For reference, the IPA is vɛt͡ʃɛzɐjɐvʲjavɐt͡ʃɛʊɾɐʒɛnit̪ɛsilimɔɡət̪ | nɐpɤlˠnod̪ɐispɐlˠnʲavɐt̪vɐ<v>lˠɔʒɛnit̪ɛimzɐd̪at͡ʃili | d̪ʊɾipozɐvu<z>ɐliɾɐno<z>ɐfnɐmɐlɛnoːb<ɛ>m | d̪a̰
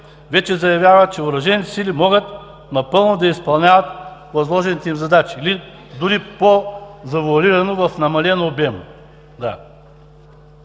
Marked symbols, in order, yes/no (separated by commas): no, no, no, yes